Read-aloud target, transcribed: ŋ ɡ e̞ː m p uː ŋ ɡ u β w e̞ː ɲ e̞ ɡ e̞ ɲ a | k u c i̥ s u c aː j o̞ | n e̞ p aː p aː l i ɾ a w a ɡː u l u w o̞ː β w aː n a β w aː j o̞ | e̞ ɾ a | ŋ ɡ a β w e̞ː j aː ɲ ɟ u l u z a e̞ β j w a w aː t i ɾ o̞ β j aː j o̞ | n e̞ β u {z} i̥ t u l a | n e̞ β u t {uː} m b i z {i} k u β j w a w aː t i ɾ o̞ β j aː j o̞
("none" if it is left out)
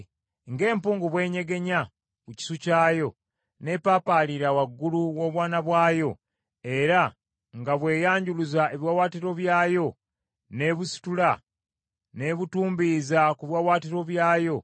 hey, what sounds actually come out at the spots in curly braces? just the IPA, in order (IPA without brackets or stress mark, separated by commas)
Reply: s, uː, a